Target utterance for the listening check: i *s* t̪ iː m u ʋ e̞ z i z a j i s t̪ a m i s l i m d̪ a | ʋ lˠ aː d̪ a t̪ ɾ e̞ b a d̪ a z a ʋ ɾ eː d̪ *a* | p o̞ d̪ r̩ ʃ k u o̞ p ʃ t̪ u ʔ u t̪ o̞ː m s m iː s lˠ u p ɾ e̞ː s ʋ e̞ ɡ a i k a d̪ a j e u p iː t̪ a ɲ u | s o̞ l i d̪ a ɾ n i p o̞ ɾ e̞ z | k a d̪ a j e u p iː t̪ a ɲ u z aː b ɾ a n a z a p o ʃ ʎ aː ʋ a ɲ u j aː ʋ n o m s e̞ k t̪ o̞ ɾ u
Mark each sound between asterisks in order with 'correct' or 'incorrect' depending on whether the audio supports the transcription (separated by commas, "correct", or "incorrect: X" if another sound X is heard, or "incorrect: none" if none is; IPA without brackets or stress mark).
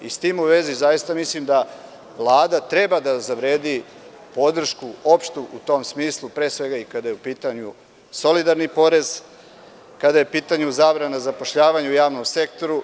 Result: correct, incorrect: i